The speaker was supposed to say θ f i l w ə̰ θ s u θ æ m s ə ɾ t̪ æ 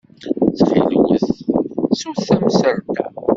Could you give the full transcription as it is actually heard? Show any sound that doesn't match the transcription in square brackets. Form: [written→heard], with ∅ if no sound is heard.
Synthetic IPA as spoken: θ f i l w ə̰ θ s u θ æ m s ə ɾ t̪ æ